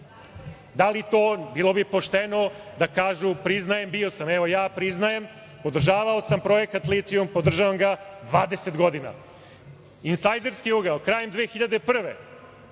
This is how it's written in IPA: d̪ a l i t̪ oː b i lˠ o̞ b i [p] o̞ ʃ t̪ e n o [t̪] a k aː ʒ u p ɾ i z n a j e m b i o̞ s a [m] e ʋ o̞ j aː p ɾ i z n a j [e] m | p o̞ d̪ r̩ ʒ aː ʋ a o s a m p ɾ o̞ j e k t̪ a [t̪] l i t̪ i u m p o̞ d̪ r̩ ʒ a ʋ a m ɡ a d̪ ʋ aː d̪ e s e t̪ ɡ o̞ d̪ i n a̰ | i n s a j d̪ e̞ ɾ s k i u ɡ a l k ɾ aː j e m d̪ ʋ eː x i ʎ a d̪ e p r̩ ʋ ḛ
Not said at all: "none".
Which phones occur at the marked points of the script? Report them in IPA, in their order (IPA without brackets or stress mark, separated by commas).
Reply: p, d̪, m, e, t̪